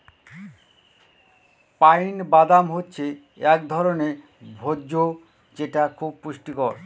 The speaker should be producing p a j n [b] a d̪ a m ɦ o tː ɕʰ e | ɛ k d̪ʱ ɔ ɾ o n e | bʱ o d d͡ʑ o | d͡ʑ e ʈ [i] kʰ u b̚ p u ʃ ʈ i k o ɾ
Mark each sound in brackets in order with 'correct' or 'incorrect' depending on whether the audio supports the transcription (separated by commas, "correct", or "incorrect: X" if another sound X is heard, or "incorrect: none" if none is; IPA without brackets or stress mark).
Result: correct, incorrect: a